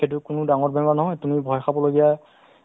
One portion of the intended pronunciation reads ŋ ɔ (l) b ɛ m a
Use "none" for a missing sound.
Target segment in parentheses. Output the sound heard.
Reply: ɹ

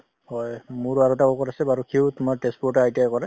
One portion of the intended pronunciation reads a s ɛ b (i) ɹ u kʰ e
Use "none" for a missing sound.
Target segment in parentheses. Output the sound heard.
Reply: a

